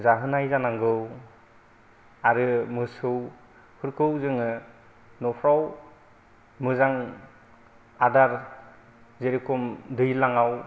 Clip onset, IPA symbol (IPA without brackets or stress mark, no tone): z